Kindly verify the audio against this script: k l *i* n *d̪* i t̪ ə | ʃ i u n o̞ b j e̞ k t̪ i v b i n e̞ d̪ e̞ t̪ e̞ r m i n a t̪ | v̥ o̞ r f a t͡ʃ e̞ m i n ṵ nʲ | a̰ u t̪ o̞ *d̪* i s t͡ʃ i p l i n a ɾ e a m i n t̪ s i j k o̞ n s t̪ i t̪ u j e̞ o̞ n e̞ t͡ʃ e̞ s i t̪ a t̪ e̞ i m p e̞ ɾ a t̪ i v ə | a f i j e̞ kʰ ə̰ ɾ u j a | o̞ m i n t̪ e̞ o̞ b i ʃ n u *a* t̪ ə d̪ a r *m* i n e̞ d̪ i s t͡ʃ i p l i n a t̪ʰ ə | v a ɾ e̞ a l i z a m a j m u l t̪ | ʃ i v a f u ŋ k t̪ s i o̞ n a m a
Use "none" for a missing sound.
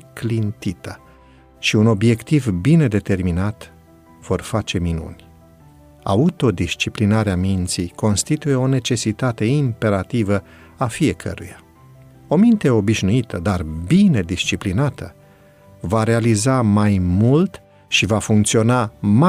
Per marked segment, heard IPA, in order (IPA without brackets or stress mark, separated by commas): i, t̪, d̪, i, b